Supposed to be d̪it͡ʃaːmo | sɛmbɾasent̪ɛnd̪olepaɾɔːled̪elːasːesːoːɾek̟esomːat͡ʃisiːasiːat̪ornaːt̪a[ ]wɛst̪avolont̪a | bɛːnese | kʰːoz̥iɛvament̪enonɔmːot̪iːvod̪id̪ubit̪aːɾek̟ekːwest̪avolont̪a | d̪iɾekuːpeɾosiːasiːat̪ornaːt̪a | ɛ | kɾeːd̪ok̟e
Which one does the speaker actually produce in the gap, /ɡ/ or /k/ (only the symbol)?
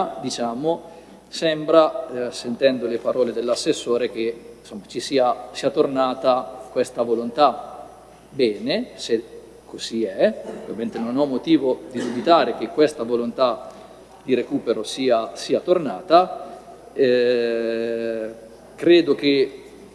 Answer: k